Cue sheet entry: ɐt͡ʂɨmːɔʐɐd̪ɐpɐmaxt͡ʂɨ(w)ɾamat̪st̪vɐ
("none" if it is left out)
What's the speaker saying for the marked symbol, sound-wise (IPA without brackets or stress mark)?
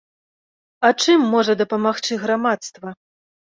ɣ